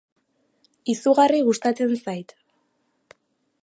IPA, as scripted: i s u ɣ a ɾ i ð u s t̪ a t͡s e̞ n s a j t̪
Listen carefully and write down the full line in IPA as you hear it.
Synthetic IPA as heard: i s u ɣ a r i ɣ u s t̪ a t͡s e̞ n s a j t̪

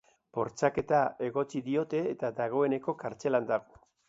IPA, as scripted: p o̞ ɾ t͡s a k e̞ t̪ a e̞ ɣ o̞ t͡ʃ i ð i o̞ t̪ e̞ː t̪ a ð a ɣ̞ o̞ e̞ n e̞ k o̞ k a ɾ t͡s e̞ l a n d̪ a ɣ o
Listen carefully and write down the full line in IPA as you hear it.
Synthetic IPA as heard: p o̞ ɾ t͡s a k e̞ t̪ a e̞ ɣ o̞ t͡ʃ i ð i o̞ t̪ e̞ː t̪ a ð a ɣ̞ o̞ e̞ n e̞ k o̞ k a ɾ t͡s e̞ l a n d̪ a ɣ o

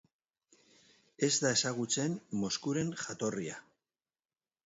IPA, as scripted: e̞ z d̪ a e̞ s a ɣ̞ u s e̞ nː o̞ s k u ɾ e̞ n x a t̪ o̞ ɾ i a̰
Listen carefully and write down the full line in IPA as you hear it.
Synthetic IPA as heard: e̞ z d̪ a e̞ s a ɣ̞ u t͡s e̞ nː o̞ s k u ɾ e̞ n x a t̪ o̞ r i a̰

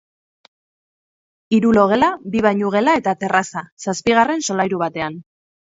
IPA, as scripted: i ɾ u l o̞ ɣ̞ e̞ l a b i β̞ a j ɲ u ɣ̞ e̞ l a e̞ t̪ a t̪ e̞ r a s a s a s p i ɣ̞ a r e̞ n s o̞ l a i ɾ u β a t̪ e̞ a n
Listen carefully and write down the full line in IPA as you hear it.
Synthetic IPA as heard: i ɾ u l o̞ ɣ̞ e̞ l a b i β̞ a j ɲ u ɣ̞ e̞ l a e̞ t̪ a t̪ e̞ r a s a s a s p i ɣ̞ a r e̞ n s o̞ l a j ɾ u β a t̪ e̞ a n

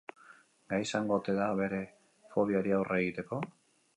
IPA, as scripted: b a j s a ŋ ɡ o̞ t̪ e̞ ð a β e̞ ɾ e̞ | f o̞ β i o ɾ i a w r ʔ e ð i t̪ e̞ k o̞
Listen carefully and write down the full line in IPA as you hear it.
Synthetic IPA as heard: ɡ a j s a ŋ ɡ o̞ t̪ e̞ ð a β e̞ ɾ e̞ | f o̞ β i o ɾ i a w r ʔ e ɣ i t̪ e̞ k o̞

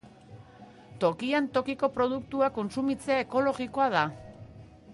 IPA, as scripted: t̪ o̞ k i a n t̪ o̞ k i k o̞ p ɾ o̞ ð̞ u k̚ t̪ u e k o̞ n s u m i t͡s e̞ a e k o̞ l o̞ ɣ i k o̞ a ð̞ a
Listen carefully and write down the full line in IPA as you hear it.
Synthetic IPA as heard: t̪ o̞ k i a n t̪ o̞ k i k o̞ p ɾ o̞ ð̞ u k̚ t̪ u a k o̞ n s u m i t͡s e̞ a e k o̞ l o̞ ɣ i k o̞ a ð̞ a

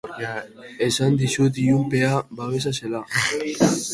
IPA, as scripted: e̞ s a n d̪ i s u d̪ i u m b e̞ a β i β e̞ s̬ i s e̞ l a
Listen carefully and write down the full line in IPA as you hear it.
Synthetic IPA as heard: e̞ s a n d̪ i s u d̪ i u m p e̞ a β a β e̞ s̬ a s e̞ l a

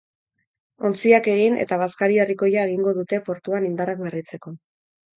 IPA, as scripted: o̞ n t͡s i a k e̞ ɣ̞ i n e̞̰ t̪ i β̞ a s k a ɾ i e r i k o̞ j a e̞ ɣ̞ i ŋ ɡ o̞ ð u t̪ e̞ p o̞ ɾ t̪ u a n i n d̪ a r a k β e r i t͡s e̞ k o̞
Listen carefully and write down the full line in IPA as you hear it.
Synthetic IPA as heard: o̞ n t͡s i a k e̞ ɣ̞ i n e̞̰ t̪ a β̞ a s k a ɾ i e r i k o̞ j a e̞ ɣ̞ i ŋ ɡ o̞ ð u t̪ e̞ p o̞ ɾ t̪ u a n i n d̪ a r a k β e r i t͡s e̞ k o̞

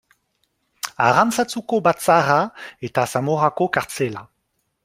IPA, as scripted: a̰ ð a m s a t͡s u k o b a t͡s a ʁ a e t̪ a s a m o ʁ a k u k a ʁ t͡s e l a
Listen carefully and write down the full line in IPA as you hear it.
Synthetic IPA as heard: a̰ ʁ a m s a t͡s u k o b a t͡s a ʁ a e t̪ a s a m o ʁ a k o k a ʁ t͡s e l a

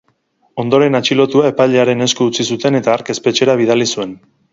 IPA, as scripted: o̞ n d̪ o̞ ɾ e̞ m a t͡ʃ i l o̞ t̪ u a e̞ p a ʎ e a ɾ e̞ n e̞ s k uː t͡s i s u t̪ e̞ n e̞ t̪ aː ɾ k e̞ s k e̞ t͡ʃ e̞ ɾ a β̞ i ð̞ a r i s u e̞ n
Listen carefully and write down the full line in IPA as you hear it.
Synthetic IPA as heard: o̞ n d̪ o̞ ɾ e̞ n a t͡ʃ i l o̞ t̪ u a e̞ p a ʎ e a ɾ e̞ n e̞ s k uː t͡s i s u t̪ e̞ n e̞ t̪ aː ɾ k e̞ s p e̞ t͡ʃ e̞ ɾ a β̞ i ð̞ a l i s u e̞ n

